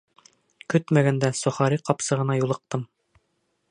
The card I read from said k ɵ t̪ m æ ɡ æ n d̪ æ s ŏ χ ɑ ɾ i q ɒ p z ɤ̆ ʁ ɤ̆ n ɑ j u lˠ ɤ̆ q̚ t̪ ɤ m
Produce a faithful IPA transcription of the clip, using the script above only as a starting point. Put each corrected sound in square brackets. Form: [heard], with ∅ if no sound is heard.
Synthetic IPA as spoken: k ɵ t̪ m æ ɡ æ n d̪ æ s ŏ χ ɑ ɾ i q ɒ p [s] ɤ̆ ʁ ɤ̆ n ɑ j u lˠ ɤ̆ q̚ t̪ ɤ m